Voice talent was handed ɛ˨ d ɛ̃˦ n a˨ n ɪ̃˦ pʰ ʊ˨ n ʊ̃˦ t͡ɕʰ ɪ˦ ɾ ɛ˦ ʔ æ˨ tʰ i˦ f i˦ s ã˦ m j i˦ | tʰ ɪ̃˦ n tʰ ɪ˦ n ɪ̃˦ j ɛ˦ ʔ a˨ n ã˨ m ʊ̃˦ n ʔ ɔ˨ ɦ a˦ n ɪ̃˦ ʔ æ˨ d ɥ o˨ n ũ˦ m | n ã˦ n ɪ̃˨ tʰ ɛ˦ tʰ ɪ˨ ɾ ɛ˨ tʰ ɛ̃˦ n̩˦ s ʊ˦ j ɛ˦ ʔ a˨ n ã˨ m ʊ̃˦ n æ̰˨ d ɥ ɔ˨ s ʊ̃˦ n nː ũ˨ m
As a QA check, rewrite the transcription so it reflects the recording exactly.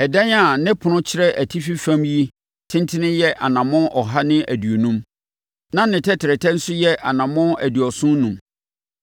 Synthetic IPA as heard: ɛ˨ d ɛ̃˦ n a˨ n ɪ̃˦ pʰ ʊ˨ n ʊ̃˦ t͡ɕʰ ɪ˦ ɾ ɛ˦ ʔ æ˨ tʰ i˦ f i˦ f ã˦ m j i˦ | tʰ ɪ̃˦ n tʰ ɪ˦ n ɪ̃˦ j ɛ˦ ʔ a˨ n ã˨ m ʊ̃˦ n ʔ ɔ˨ ɦ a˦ n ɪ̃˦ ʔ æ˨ d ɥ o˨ n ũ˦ m | n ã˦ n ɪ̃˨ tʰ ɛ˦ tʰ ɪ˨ ɾ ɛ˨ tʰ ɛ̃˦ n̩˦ s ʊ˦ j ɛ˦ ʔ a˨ n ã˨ m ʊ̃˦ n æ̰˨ d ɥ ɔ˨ s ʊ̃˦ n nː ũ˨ m